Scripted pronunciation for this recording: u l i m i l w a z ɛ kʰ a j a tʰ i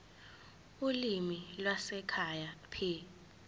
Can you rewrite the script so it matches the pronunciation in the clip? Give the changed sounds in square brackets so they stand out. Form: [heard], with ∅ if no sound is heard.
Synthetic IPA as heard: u l i m i l w a [s] ɛ kʰ a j a [pʰ] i